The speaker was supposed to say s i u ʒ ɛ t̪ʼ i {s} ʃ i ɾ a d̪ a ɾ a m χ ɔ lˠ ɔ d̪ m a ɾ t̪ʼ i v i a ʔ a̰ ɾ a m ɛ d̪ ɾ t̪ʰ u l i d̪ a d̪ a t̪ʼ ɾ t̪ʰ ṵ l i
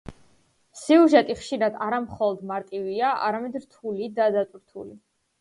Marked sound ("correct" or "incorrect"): incorrect